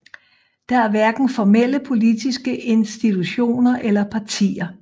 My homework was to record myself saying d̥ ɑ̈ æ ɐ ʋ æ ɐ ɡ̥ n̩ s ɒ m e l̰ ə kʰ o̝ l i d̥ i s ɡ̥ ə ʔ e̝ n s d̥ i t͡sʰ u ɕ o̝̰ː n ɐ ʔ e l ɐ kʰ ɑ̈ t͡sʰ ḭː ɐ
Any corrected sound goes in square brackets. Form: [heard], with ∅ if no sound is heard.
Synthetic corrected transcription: d̥ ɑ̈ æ ɐ ʋ æ ɐ ɡ̥ n̩ [f] ɒ m e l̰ ə [pʰ] o̝ l i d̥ i s ɡ̥ ə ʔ e̝ n s d̥ i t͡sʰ u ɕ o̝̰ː n ɐ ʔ e l ɐ [pʰ] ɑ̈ t͡sʰ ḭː ɐ